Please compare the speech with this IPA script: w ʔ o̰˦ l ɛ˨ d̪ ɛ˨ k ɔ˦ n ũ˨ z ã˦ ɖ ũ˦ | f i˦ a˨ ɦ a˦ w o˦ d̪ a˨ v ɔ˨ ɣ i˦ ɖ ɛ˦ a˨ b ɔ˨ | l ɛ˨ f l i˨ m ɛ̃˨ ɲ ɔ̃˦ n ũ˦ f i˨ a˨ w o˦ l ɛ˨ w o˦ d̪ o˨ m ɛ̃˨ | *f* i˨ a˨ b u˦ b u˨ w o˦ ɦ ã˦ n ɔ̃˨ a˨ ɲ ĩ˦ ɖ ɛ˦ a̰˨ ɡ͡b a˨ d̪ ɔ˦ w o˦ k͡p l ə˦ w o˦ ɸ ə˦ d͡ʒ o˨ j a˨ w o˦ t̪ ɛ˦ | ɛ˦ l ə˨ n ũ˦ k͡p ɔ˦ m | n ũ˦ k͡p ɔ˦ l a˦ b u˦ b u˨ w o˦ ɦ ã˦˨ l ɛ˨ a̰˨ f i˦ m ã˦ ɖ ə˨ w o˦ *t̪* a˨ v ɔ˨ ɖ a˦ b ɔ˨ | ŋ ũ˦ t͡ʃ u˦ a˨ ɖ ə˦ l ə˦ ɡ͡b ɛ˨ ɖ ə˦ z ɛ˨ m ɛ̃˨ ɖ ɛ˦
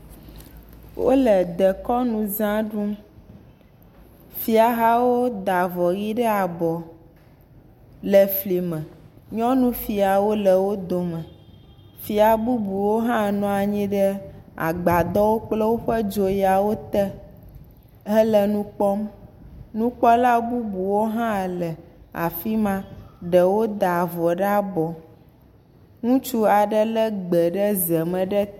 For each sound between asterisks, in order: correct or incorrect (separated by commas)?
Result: correct, incorrect